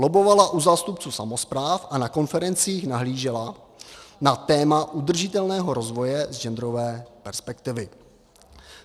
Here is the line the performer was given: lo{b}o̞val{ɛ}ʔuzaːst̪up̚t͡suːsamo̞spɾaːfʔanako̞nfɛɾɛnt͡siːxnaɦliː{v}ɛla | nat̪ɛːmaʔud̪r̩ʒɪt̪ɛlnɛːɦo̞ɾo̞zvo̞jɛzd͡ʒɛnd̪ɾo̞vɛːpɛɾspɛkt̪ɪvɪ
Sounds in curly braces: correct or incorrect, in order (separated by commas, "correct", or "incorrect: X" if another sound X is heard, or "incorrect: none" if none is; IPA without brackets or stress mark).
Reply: correct, incorrect: a, incorrect: ʒ